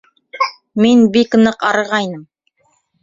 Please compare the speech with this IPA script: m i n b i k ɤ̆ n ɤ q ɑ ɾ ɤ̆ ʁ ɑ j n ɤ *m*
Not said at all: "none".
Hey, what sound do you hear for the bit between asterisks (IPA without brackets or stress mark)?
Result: m